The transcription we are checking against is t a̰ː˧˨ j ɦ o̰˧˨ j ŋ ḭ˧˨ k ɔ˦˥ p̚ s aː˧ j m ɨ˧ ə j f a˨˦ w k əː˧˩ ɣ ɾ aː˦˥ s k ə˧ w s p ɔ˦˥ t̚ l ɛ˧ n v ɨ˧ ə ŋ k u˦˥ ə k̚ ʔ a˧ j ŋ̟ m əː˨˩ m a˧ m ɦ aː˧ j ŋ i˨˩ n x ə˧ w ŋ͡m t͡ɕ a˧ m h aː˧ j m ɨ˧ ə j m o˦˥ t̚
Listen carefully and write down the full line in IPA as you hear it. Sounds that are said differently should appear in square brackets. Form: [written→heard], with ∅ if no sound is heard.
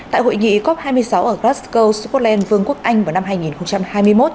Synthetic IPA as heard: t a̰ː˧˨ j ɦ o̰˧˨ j ŋ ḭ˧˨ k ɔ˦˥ p̚ [s→h] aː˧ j m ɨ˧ ə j [f→s] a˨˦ w [k→ʔ] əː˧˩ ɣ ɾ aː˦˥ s k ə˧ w s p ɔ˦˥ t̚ l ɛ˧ n v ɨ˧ ə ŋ k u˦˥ ə k̚ ʔ a˧ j ŋ̟ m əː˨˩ [m→n] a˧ m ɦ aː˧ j ŋ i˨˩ n x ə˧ w ŋ͡m t͡ɕ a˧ m h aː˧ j m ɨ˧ ə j m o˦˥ t̚